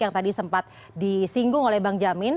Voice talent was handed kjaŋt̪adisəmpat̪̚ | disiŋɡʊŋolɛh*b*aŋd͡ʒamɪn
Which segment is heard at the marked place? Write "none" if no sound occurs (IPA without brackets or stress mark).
b